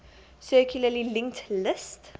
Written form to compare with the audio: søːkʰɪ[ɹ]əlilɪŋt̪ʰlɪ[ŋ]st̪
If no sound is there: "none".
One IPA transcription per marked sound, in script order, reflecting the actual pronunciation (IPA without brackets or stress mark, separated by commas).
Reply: l, none